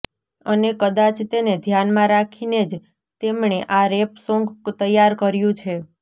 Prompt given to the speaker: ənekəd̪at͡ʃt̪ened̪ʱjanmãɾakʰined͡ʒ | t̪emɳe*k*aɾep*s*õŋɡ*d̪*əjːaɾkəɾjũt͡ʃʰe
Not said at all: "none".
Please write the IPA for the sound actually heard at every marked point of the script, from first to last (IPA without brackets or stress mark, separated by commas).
ʔ, s, t̪